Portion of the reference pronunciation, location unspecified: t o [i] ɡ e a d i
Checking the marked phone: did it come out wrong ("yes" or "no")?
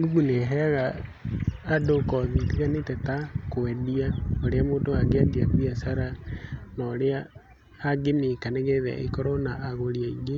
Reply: yes